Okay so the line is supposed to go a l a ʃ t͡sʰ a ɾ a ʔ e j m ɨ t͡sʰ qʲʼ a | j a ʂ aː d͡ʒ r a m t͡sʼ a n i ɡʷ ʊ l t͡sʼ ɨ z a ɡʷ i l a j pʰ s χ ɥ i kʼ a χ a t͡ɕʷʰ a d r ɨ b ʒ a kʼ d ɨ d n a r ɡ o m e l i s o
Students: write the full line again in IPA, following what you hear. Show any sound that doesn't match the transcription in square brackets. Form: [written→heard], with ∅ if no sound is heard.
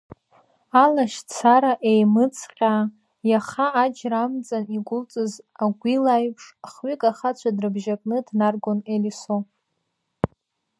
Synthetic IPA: a l a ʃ t͡sʰ a ɾ a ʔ e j m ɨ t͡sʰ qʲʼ a | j a [ʂ→χ] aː d͡ʒ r a m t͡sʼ a n i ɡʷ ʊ l t͡sʼ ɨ z a ɡʷ i l a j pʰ [s→ʂ] χ ɥ i kʼ a χ a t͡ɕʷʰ a d r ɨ b ʒ a kʼ [d→n] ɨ d n a r ɡ o [m→n] e l i s o